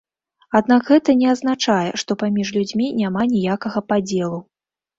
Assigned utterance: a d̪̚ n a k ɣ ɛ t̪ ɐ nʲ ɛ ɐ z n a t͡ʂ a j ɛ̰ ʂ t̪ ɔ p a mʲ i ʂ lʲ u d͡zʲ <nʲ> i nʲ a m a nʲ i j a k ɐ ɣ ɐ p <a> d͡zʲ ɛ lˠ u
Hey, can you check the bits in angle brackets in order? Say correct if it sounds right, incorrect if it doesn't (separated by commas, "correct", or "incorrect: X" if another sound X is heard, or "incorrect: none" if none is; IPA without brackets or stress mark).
incorrect: mʲ, correct